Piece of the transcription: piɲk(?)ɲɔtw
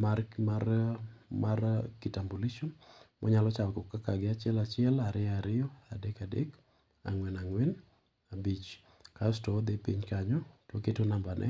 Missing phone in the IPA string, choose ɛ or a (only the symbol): a